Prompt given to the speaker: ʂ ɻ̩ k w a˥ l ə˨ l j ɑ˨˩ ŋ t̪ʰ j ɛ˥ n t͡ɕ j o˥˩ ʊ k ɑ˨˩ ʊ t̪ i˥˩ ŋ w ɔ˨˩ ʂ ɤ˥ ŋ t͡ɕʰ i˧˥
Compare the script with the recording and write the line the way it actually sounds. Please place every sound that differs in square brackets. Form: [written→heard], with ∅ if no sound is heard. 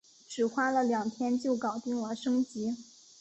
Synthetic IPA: [ʂ→ʈ͡ʂ] ɻ̩ [k→x] w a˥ l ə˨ l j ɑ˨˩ ŋ t̪ʰ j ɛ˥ n t͡ɕ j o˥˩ ʊ k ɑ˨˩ ʊ t̪ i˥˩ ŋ w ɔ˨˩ ʂ ɤ˥ ŋ [t͡ɕʰ→t͡ɕ] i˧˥